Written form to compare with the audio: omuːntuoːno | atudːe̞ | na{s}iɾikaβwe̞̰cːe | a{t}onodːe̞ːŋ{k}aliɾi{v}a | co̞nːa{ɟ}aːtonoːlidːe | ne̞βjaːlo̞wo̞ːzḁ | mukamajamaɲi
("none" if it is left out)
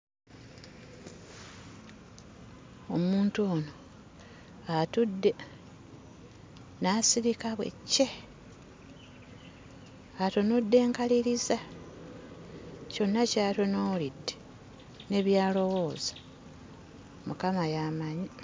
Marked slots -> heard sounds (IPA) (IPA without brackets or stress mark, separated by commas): s, t, k, z, c